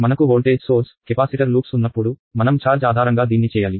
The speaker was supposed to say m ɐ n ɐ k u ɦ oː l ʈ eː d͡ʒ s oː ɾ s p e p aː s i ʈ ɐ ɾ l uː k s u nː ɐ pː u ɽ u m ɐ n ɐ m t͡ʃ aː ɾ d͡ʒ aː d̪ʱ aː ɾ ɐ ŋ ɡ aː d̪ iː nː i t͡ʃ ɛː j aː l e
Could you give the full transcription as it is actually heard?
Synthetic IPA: m ɐ n ɐ k u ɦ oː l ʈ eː d͡ʒ s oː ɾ s k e p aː s i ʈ ɐ ɾ l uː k s u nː ɐ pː u ɽ u m ɐ n ɐ m t͡ʃ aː ɾ d͡ʒ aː d̪ʱ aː ɾ ɐ ŋ ɡ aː d̪ iː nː i t͡ʃ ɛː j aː l i